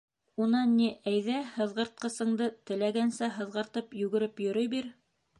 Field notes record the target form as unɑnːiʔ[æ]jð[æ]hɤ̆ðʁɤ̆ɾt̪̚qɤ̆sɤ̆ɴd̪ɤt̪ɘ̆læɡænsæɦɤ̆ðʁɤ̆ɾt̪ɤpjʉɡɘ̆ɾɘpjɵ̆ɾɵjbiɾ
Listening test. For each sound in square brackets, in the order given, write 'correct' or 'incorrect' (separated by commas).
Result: correct, correct